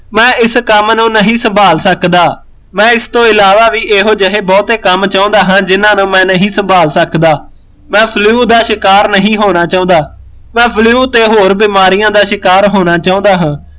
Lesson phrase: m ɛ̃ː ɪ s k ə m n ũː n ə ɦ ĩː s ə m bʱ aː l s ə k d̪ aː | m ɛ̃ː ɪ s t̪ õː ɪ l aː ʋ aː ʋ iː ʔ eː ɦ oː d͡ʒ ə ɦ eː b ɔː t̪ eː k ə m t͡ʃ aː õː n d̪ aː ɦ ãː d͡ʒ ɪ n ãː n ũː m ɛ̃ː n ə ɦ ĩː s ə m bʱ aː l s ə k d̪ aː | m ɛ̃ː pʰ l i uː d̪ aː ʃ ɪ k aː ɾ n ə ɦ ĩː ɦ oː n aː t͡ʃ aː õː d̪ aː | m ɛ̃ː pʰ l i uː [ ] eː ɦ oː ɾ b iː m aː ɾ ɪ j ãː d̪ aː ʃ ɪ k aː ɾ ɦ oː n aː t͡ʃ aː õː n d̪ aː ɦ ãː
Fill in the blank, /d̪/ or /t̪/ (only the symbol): t̪